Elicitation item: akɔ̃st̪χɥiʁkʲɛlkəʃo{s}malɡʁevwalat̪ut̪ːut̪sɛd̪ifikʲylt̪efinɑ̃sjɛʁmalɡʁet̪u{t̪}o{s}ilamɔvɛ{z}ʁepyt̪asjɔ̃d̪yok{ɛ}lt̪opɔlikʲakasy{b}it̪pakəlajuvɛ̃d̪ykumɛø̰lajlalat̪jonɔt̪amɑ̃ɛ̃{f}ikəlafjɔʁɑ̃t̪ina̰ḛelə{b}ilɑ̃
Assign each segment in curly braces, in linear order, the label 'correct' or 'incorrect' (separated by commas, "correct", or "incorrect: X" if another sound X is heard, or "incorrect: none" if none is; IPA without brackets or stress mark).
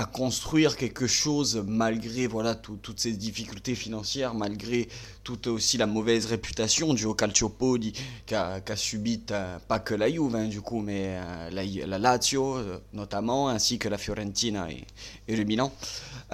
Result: incorrect: z, correct, correct, correct, incorrect: a, correct, incorrect: s, incorrect: m